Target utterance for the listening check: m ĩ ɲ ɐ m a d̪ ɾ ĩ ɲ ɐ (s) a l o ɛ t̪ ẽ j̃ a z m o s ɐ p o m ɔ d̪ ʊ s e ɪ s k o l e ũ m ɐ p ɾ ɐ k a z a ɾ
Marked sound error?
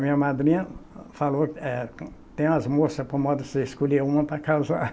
yes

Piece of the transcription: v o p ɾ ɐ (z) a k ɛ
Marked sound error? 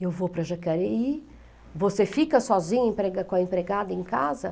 yes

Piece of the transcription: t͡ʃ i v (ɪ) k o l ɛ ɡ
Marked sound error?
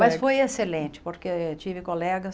no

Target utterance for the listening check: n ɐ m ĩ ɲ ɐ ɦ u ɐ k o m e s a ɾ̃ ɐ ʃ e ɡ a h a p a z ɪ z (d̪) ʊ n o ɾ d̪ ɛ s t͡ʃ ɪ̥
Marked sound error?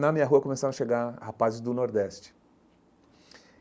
no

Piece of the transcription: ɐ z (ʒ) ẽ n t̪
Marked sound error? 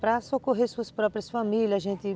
no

